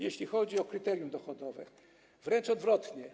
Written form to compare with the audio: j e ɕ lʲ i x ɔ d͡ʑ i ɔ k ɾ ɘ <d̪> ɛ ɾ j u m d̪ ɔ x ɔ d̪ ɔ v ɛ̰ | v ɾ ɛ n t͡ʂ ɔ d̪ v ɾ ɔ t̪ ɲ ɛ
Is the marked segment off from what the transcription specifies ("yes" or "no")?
yes